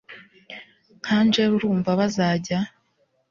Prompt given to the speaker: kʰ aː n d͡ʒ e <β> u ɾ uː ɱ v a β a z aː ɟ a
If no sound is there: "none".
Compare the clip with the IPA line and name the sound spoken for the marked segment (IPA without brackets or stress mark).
β